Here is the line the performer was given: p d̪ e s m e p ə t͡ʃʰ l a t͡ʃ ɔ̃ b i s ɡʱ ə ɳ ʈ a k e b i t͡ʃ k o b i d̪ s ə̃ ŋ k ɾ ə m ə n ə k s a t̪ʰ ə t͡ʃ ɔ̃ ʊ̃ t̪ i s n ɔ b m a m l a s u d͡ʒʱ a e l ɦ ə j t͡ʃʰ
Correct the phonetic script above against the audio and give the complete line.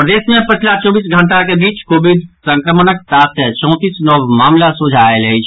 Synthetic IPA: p d̪ e s m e p ə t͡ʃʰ l a t͡ʃ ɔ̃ b i s ɡʱ ə ɳ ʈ a k e b i t͡ʃ k o b i d̪ s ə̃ ŋ k ɾ ə m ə n ə k s a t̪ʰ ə t͡ʃ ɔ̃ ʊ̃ t̪ i s n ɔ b m a m l a s u d͡ʒʱ a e l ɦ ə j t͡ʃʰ